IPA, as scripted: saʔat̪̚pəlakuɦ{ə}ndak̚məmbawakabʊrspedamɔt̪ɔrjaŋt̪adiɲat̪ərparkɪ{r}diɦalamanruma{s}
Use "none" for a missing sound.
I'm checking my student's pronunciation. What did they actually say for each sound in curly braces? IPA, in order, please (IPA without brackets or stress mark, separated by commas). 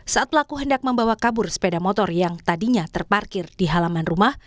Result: ə, r, h